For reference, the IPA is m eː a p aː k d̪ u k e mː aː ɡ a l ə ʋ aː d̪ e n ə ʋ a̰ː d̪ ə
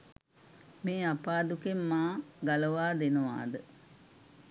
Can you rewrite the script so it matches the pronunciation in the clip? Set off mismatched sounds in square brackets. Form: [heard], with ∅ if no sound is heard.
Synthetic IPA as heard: m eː a p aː [∅] d̪ u k e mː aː ɡ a l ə ʋ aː d̪ e n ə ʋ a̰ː d̪ ə